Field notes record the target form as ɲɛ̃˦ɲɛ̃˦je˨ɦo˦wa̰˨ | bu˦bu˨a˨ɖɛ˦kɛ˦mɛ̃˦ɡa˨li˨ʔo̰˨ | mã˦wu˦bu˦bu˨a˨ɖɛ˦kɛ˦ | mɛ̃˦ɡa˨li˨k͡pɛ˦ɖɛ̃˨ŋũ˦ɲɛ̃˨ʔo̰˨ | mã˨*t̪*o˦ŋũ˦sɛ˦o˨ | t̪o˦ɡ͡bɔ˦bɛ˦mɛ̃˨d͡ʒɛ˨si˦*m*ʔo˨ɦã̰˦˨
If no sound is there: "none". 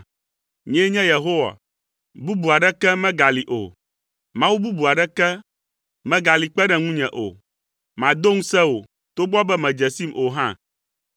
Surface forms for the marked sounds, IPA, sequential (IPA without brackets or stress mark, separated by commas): d̪, m